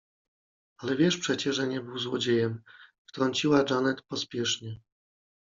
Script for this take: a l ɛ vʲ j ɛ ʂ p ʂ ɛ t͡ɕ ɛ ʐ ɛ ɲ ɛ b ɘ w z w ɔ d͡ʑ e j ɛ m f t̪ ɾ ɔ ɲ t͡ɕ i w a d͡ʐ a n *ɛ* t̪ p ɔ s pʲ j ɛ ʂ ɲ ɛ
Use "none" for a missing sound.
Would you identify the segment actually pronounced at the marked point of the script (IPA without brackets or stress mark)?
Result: ɛ